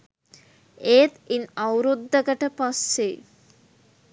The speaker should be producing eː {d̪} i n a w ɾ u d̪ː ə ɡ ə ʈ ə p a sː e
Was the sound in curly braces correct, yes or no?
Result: no